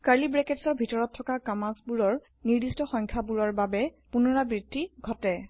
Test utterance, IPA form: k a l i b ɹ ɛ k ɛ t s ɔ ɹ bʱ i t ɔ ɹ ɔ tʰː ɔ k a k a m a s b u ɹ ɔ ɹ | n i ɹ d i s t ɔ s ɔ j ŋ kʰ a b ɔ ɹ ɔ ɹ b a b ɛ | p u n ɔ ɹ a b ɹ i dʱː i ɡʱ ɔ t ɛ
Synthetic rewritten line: k a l i b ɹ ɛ k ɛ t s ɔ ɹ bʱ i t ɔ ɹ ɔ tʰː ɔ k a k a m a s b u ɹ ɔ ɹ | n i ɹ d i s t ɔ x ɔ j ŋ kʰ a b u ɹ ɔ ɹ b a b ɛ | p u n ɔ ɹ a b ɹ i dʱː i ɡʱ ɔ t ɛ